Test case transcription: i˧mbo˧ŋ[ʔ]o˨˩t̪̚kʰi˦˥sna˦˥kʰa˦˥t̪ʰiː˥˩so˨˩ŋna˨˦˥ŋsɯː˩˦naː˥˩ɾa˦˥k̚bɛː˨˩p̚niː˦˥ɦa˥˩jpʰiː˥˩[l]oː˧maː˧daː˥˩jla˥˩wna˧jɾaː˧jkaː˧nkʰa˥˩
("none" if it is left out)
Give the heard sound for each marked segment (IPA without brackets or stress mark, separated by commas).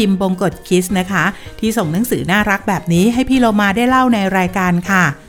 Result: k, l